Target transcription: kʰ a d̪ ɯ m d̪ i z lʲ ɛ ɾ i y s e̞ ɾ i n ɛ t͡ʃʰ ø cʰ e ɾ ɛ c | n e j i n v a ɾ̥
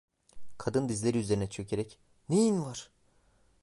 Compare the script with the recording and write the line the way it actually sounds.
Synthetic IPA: kʰ a d̪ ɯ n d̪ i z lʲ e ɾ i y z e̞ ɾ i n ɛ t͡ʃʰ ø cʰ e ɾ ɛ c | n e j i n v a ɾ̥

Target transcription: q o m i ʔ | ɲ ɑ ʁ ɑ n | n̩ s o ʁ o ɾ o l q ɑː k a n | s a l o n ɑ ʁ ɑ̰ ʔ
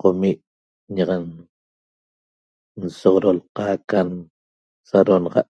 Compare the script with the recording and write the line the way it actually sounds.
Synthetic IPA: q o m i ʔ | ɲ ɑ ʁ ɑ n | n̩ s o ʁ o ɾ o l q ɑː k a n | s a ɾ o n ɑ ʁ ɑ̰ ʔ

